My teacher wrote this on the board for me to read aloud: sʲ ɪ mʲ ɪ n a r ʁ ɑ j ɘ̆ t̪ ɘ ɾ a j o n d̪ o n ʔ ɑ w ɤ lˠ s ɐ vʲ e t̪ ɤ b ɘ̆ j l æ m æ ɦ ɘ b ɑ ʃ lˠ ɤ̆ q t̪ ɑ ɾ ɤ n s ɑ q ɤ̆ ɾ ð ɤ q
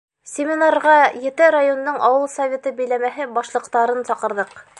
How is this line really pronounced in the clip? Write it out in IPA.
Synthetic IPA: sʲ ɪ mʲ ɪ n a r ʁ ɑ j ɘ̆ t̪ ɘ ɾ a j o n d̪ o ɴ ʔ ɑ w ɤ lˠ s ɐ vʲ e t̪ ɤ b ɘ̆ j l æ m æ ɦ ɘ b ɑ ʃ lˠ ɤ̆ q t̪ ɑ ɾ ɤ n s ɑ q ɤ̆ ɾ ð ɤ q